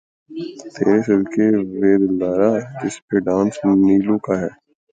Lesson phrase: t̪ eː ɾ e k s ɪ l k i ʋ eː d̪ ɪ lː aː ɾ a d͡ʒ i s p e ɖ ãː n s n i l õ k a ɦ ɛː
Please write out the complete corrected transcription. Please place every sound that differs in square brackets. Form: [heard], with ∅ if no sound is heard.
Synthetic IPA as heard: t̪ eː ɾ e [∅] s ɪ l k [e] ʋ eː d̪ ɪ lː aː ɾ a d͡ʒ [ɪ] s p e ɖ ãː n s n [iː] l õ k a ɦ ɛː